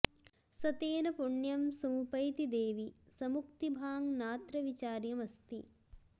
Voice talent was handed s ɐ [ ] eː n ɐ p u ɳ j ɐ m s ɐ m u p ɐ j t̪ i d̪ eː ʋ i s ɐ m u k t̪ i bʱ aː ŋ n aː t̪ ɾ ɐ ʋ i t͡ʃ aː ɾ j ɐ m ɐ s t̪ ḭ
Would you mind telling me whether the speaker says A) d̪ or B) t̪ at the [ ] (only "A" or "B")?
B